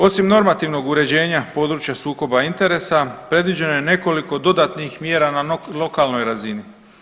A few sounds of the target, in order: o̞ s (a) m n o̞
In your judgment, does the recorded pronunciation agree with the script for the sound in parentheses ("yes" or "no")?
no